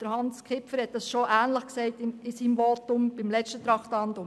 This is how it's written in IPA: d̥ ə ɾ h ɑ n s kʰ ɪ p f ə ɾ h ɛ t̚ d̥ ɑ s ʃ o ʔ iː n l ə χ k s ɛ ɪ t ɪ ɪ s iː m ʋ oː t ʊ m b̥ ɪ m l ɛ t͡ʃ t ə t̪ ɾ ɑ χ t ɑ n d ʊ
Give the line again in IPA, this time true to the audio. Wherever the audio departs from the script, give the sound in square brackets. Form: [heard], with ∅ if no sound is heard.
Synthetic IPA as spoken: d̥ ə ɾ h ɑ n s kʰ ɪ p f ə ɾ h ɛ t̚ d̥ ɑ s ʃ o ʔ [æː] n l ə χ k s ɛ ɪ t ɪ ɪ s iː m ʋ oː t ʊ m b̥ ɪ m l ɛ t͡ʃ t ə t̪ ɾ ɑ χ t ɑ n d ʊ